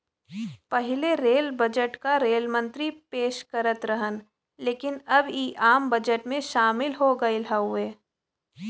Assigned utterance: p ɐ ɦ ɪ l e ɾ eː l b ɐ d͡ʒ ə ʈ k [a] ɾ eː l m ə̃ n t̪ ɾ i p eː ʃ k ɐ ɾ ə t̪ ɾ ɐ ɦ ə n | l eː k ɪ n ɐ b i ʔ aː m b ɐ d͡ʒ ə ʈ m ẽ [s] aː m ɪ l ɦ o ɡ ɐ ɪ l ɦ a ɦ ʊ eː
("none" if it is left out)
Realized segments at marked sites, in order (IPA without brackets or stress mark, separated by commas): a, ʃ